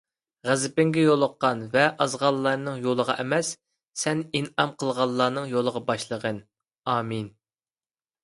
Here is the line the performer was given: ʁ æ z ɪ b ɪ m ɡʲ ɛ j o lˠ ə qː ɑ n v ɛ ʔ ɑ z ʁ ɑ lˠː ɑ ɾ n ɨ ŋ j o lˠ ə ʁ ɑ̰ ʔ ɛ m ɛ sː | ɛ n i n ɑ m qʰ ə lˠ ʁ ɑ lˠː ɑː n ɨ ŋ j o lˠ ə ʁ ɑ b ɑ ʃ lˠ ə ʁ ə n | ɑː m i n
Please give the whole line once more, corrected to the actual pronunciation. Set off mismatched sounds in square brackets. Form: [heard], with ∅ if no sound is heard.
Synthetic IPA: ʁ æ z ɪ [p] ɪ [ŋ] ɡʲ ɛ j o lˠ ə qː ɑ n v ɛ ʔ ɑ z ʁ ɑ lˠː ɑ ɾ n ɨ ŋ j o lˠ ə ʁ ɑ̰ ʔ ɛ m ɛ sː | ɛ n i n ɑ m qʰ ə lˠ ʁ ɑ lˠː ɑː n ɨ ŋ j o lˠ ə ʁ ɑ b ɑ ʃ lˠ ə ʁ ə n | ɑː m i n